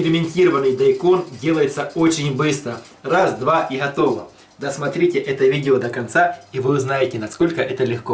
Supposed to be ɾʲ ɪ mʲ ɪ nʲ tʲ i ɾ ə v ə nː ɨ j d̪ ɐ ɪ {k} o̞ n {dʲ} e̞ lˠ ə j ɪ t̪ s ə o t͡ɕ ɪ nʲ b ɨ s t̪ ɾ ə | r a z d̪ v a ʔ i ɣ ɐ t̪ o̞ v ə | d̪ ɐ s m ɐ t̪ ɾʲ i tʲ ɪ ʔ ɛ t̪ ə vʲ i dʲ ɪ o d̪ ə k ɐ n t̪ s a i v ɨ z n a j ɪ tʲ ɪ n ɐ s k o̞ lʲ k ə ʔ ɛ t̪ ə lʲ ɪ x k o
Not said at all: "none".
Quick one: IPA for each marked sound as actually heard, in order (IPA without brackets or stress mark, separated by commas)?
k, dʲ